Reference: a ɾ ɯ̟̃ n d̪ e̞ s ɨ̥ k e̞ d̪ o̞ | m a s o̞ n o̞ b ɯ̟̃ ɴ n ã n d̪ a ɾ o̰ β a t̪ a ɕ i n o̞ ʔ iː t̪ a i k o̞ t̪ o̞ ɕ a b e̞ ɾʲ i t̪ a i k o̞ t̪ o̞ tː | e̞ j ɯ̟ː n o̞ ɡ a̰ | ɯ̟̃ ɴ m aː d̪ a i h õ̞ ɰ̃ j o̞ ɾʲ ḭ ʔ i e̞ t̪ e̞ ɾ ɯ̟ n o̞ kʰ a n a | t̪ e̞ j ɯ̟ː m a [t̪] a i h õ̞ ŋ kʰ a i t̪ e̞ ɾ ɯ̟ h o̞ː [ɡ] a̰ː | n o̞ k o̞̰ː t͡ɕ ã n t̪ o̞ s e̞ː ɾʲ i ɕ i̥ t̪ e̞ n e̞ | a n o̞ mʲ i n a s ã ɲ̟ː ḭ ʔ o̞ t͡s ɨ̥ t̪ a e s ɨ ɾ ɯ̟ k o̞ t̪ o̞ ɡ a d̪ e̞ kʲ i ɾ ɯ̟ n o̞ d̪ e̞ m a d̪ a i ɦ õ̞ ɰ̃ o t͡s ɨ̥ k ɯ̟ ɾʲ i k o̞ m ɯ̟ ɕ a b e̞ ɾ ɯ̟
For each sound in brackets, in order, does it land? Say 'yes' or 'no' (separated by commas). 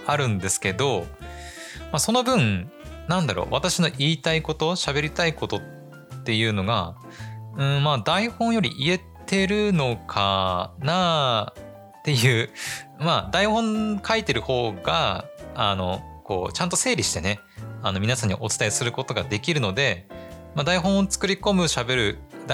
no, yes